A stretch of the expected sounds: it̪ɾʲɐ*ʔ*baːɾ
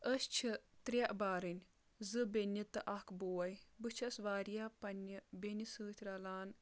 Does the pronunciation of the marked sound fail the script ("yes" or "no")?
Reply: no